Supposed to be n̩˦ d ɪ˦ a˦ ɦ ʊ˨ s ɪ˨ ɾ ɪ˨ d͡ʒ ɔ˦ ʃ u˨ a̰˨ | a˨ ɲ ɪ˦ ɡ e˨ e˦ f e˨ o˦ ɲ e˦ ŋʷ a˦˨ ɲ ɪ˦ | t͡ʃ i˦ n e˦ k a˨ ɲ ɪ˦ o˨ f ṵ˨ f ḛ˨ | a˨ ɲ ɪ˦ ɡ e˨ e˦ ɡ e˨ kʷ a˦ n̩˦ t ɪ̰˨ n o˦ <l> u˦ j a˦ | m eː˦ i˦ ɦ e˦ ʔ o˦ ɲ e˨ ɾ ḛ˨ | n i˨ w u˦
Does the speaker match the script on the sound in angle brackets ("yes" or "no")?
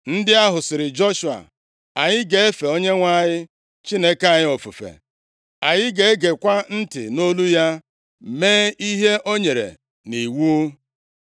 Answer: yes